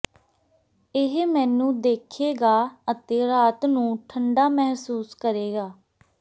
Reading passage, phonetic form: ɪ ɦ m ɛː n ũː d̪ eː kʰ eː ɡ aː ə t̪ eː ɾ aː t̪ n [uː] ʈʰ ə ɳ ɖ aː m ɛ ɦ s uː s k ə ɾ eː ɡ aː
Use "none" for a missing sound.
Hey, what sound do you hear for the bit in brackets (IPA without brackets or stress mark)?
ũː